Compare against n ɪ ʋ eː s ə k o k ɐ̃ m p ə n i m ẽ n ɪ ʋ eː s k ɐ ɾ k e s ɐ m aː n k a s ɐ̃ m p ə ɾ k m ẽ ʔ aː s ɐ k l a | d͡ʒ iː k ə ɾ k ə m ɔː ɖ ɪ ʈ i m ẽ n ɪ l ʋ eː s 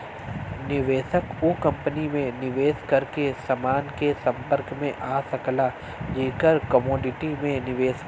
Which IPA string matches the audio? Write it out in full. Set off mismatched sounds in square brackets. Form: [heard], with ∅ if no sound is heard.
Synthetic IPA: n ɪ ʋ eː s ə k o k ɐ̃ m p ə n i m ẽ n ɪ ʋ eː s k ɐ ɾ k e s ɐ m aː n k [e] s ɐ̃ m p ə ɾ k m ẽ ʔ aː s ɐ k l a | d͡ʒ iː k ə ɾ k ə m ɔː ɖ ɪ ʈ i m ẽ n ɪ [∅] ʋ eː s